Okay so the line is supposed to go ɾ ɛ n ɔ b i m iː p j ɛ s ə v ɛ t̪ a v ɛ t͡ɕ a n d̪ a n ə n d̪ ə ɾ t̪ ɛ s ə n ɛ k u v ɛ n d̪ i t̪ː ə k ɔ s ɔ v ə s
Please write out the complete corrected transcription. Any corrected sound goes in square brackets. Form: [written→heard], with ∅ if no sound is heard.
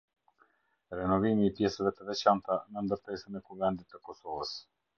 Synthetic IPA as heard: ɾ ɛ n ɔ [b→v] i m iː p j ɛ s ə v ɛ t̪ [a→ə] v ɛ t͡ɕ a n [d̪→t̪] a n ə n d̪ ə ɾ t̪ ɛ s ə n ɛ k u v ɛ n d̪ i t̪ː ə k ɔ s ɔ v ə s